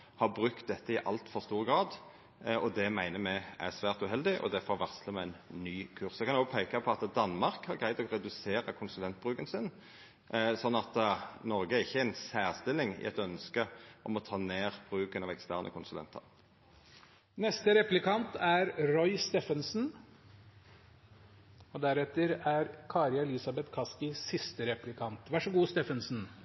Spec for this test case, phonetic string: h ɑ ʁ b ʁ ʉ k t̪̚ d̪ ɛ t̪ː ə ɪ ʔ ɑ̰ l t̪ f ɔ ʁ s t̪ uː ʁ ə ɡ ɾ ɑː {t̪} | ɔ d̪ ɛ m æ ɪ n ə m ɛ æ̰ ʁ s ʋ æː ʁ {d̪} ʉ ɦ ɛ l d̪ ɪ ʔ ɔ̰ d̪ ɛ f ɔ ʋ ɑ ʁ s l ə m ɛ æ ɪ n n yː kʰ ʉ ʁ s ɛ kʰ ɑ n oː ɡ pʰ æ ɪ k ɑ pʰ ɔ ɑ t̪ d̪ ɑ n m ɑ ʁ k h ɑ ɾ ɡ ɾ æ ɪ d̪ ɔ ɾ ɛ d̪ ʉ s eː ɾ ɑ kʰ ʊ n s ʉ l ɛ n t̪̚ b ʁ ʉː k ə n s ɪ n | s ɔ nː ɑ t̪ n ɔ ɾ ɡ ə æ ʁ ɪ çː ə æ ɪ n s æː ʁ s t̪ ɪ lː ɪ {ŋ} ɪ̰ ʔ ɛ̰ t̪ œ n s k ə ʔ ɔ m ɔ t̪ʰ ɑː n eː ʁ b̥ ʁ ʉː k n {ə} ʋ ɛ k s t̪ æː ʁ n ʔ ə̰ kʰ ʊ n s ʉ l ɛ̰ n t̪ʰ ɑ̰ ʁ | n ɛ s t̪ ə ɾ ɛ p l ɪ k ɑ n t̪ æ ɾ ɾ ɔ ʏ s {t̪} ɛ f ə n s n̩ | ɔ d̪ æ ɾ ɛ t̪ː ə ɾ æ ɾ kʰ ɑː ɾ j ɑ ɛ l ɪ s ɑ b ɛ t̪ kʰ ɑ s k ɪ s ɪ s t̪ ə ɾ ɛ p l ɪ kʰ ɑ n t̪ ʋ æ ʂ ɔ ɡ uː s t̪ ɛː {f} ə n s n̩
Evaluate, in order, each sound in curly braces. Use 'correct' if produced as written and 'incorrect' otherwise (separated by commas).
incorrect, incorrect, correct, incorrect, correct, correct